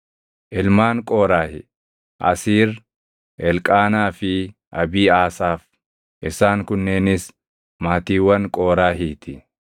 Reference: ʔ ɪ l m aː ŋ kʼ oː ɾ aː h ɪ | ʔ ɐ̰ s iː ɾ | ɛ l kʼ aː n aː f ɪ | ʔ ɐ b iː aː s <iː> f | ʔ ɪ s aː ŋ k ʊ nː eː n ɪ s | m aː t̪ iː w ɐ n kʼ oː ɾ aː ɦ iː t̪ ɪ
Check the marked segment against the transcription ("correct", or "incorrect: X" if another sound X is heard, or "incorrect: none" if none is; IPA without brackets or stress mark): incorrect: aː